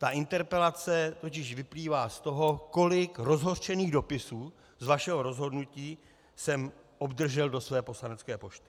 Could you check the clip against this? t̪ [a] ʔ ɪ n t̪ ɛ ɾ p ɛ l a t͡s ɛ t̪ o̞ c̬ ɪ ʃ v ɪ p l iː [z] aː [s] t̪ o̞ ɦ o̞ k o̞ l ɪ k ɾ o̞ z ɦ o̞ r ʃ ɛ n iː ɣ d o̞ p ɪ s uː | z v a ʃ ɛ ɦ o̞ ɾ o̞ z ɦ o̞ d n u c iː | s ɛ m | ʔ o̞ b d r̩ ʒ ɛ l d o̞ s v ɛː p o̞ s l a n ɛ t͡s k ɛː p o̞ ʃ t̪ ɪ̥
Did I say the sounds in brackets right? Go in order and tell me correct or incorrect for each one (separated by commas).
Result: correct, incorrect, correct